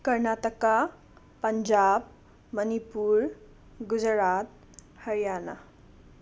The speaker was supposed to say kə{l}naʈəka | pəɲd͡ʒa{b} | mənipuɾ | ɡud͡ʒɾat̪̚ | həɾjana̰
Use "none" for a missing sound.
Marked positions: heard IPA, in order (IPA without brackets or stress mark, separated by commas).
ɾ, b